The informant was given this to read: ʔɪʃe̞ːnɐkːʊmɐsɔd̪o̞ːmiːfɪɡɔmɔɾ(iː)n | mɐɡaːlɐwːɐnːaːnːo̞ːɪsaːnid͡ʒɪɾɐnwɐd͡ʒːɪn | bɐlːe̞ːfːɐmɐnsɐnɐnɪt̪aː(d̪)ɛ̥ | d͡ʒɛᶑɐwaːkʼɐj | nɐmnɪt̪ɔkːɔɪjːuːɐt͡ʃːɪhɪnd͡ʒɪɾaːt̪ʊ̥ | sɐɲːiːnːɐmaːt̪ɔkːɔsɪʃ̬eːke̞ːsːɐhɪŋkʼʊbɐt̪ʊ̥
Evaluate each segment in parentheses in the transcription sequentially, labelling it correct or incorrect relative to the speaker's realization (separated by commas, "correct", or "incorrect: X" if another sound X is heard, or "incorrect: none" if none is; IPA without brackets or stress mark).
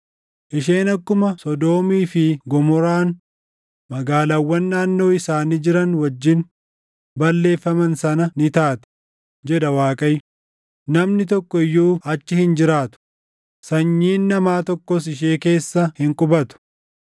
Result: incorrect: aː, incorrect: t̪